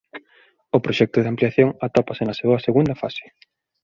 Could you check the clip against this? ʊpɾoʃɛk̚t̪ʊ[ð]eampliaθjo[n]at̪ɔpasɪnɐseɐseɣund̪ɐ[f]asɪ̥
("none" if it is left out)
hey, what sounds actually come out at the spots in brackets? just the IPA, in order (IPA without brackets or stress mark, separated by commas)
ð, ŋ, f